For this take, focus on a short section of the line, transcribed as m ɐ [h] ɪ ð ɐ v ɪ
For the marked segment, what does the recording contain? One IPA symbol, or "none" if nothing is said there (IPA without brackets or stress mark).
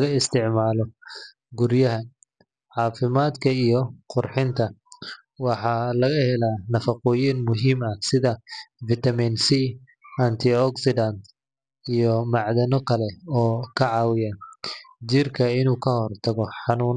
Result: s